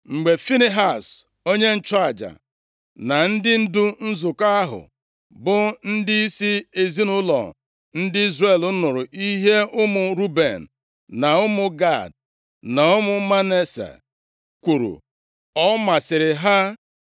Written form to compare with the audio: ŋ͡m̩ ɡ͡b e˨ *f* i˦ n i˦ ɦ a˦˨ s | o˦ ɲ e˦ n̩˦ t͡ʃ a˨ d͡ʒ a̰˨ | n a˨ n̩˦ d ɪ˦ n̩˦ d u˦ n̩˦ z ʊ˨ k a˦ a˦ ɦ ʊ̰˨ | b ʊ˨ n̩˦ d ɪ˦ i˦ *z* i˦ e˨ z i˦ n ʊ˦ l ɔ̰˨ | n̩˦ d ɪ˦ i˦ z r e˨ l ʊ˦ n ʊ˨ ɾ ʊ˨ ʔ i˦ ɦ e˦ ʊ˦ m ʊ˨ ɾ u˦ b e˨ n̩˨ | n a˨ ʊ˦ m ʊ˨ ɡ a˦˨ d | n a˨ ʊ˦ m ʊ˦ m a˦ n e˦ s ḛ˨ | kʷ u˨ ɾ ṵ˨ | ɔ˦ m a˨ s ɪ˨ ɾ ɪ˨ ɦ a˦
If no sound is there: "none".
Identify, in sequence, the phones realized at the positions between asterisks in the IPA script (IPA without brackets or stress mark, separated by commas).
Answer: f, s